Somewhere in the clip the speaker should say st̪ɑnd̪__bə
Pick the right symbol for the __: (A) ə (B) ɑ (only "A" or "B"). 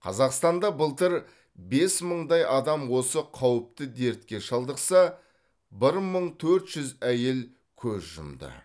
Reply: B